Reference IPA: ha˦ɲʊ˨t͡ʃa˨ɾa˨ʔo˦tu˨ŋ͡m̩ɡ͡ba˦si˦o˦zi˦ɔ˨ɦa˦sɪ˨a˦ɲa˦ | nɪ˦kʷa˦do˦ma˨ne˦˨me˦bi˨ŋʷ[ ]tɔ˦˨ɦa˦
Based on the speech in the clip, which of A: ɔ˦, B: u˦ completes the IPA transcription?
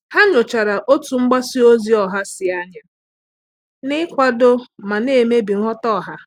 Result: A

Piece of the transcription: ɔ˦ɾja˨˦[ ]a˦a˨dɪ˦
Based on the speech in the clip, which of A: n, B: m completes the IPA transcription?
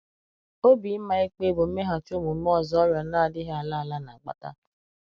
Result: A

